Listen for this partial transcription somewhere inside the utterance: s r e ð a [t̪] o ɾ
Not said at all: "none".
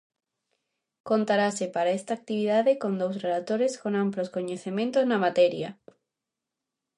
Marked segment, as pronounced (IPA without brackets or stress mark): t̪